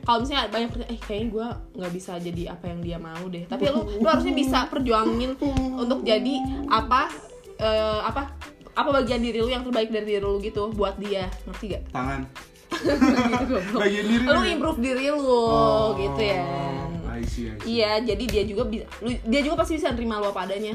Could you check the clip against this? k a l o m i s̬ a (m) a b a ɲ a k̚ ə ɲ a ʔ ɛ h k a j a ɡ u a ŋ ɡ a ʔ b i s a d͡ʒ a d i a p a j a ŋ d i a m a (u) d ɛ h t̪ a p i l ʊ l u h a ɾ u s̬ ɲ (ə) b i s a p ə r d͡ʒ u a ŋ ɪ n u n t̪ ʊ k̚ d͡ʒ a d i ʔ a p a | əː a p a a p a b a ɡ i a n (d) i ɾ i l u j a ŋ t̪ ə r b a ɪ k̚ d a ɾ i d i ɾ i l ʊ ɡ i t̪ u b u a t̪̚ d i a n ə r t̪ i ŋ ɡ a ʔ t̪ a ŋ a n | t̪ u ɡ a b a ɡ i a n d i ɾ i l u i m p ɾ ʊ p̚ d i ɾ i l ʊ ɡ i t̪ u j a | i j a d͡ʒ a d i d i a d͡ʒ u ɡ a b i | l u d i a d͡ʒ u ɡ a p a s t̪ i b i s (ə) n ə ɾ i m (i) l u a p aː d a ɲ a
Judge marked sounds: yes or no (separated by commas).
no, yes, no, yes, no, no